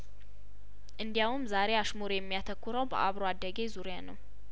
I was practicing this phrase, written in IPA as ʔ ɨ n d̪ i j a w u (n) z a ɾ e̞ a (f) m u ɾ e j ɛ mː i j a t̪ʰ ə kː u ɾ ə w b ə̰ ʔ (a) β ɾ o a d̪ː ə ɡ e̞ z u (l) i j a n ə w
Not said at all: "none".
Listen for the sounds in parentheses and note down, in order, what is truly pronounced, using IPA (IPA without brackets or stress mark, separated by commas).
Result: m, ʃ, a, ɾ